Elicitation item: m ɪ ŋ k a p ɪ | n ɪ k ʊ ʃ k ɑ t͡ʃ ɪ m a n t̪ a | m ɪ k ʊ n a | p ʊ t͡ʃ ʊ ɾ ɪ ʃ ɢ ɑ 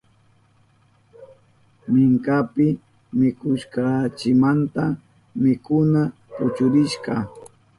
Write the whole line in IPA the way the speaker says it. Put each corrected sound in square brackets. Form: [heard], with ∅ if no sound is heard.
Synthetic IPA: m ɪ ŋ k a p ɪ | [m] ɪ k ʊ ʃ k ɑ t͡ʃ ɪ m a n t̪ a | m ɪ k ʊ n a | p ʊ t͡ʃ ʊ ɾ ɪ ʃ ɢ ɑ

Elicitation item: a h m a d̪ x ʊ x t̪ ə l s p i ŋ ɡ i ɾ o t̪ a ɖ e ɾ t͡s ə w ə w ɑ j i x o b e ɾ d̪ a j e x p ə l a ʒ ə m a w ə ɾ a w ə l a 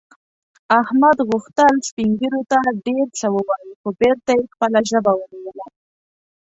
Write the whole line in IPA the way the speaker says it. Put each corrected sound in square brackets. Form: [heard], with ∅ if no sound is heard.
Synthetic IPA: a h m a d̪ [ɣ] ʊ x t̪ ə l s p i ŋ ɡ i ɾ o t̪ a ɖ e ɾ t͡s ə w ə w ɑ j i x o b e ɾ [t̪] a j e x p ə l a ʒ ə [b] a w ə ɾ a w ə l a

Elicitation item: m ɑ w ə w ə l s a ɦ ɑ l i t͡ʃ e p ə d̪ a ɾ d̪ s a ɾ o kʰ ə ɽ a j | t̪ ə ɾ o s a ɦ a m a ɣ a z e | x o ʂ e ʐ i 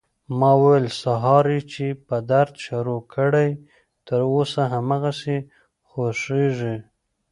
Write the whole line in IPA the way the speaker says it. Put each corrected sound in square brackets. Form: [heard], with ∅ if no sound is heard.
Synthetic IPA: m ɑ w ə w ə l s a ɦ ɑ [ɾ] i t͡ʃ e p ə d̪ a ɾ d̪ [ʃ] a ɾ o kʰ ə ɽ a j | t̪ ə ɾ o s a ɦ a m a ɣ a [s] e | x o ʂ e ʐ i

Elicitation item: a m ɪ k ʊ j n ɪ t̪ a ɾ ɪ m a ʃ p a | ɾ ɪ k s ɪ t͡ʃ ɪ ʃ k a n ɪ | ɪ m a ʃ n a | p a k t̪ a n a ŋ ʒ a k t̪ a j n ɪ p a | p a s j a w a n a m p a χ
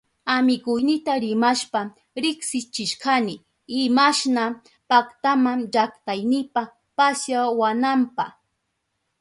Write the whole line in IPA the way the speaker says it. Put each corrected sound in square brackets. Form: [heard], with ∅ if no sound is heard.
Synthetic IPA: a m ɪ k ʊ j n ɪ t̪ a ɾ ɪ m a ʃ p a | ɾ ɪ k s ɪ t͡ʃ ɪ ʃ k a n ɪ | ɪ m a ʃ n a | p a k t̪ a [m] a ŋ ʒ a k t̪ a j n ɪ p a | p a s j a w a n a m p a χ

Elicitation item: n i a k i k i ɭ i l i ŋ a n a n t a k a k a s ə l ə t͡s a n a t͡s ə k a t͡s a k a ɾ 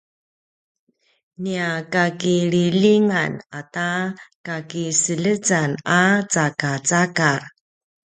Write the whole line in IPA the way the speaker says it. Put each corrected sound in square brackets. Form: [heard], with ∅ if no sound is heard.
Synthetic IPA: n i a k [a] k i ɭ i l i ŋ a n a [∅] t a k a k [i] s ə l ə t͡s a n a t͡s [a] k a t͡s a k a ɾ

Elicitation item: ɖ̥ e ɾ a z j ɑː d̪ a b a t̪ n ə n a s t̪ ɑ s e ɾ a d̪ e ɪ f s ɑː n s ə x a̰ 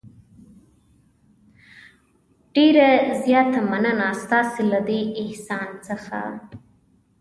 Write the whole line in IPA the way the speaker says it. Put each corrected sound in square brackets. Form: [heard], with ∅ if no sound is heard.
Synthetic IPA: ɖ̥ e ɾ a z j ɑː [t̪] a [m] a [∅] n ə n a s t̪ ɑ s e [l] a d̪ e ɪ [h] s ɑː n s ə x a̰

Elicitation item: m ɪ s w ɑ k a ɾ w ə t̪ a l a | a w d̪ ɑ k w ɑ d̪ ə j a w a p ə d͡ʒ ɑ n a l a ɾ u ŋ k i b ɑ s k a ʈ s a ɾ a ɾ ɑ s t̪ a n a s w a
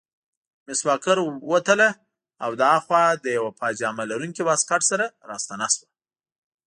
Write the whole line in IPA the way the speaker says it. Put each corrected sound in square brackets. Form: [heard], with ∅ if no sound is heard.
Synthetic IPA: m ɪ s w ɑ k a ɾ w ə t̪ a l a | a w d̪ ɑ [x] w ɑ d̪ ə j a w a p [ɑ] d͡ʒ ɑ [m] a l a ɾ u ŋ k i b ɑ s k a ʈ s a ɾ a ɾ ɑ s t̪ a n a s w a

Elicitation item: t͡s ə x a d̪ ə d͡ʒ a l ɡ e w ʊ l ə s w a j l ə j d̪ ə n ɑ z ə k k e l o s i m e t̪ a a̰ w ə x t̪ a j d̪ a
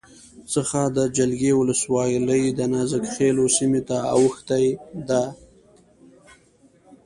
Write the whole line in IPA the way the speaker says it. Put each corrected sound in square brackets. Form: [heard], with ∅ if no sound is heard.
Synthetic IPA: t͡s ə x a d̪ ə d͡ʒ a l ɡ e w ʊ l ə s w [ɑ] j l ə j d̪ ə n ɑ z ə k [x] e l o s i m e t̪ a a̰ w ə x t̪ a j d̪ a

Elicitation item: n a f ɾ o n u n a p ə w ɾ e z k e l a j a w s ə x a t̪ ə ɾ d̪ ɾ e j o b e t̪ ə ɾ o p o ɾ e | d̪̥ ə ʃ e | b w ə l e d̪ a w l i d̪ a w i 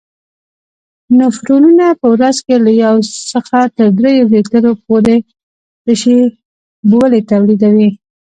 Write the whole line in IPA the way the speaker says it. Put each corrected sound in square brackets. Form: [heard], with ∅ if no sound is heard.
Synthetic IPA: n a f ɾ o n u n a p ə w ɾ [a] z k e l a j a w s ə x a t̪ ə ɾ d̪ ɾ e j o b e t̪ ə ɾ o p o ɾ e | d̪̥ ə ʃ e | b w ə l e [t̪] a w l i d̪ a w i

